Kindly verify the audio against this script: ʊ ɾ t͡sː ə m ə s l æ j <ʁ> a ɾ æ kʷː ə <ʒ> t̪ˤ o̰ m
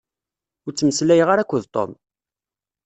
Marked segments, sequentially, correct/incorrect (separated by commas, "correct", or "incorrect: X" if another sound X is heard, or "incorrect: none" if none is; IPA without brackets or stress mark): correct, incorrect: ð